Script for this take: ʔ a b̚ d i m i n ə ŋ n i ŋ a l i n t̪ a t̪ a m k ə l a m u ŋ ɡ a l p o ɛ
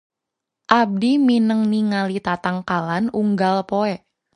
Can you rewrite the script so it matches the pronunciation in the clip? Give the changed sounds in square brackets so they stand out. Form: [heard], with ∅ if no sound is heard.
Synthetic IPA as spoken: ʔ a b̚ d i m i n ə ŋ n i ŋ a l i [∅] t̪ a t̪ a [ŋ] k [a] l a [n] u ŋ ɡ a l p o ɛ